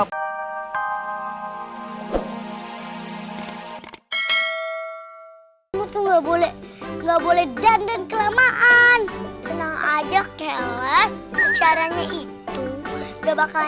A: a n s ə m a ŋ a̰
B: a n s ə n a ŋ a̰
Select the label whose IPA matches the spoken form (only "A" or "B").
B